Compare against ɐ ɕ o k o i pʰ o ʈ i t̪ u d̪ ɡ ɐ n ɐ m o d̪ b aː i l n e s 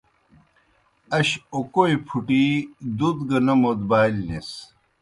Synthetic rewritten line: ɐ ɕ o k o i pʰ u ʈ i d̪ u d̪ ɡ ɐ n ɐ m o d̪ b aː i l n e s